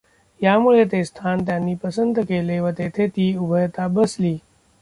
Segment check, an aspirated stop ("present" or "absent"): present